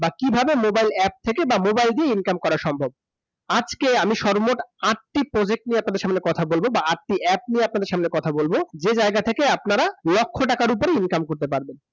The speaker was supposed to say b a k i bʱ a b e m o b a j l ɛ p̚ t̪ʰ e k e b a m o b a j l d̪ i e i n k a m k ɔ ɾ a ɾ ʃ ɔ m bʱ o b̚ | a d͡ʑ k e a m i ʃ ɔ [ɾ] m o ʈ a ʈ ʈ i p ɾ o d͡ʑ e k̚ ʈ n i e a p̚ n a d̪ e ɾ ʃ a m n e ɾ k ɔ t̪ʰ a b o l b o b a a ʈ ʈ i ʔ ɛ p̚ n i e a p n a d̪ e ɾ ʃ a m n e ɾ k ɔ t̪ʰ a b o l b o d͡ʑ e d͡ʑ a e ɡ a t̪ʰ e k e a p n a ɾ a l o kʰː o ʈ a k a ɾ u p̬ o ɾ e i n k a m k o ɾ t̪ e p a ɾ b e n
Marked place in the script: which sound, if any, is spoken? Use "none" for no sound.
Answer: ɾ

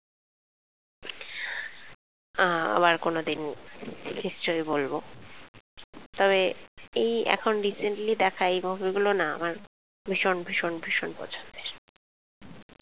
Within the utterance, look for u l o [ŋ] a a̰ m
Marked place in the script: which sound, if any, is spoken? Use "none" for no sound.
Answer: n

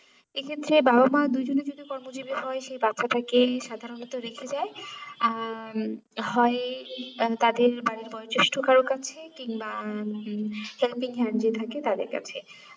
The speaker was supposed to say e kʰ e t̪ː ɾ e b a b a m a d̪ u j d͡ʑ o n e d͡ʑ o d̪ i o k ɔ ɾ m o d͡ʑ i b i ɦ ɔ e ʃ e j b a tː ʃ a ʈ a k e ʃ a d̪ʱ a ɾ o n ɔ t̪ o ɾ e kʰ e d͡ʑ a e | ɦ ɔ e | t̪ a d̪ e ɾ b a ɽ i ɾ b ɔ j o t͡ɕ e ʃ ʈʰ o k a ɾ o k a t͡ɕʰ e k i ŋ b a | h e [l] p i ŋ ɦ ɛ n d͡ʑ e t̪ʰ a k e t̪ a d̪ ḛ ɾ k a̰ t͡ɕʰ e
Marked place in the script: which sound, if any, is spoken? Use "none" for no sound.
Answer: l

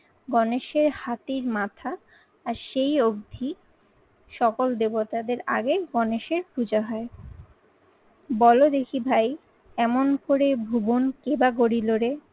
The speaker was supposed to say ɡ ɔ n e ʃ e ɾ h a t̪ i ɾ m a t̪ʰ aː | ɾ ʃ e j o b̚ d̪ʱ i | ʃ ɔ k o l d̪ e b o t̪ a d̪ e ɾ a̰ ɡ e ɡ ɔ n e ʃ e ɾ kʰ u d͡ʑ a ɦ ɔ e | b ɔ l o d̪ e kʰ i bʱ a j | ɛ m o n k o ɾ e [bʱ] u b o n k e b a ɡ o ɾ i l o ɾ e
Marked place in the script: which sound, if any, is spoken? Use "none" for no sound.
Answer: bʱ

